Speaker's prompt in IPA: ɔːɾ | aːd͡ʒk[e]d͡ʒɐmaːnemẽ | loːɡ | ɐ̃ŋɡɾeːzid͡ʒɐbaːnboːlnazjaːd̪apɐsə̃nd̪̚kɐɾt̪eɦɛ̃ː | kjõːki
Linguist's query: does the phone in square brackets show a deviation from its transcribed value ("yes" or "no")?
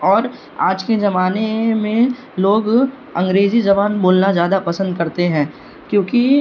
no